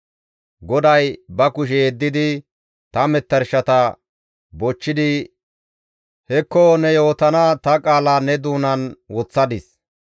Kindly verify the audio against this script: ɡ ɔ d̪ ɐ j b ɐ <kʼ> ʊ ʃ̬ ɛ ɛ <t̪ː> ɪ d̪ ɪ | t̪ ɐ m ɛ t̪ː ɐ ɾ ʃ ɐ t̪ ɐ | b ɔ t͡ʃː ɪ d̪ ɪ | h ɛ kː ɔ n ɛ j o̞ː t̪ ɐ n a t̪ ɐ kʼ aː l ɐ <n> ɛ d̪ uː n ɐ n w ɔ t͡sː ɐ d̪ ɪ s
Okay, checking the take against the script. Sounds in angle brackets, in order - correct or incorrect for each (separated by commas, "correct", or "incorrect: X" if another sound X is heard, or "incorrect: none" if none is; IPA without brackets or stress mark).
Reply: incorrect: k, incorrect: d̪ː, correct